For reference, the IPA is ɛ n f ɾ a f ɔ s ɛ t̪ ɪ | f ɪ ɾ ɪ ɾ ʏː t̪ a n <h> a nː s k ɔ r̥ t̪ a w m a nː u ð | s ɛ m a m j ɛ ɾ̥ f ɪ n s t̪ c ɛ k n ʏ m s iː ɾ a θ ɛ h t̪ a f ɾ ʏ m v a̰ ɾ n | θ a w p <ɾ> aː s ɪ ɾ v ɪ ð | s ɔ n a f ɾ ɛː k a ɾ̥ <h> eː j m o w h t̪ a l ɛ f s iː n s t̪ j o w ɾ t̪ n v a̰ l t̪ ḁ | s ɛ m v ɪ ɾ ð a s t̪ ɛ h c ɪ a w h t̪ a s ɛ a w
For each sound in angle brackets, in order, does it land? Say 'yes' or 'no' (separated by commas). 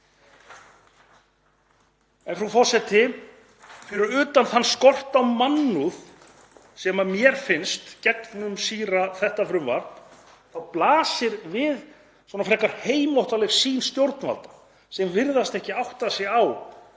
no, no, yes